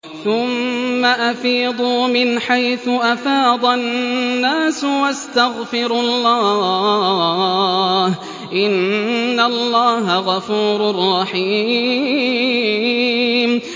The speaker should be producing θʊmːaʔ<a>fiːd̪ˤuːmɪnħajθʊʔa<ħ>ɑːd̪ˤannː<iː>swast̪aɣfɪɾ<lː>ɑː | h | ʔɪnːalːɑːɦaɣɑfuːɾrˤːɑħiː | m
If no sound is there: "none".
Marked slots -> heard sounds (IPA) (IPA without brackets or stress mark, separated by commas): a, f, aː, lː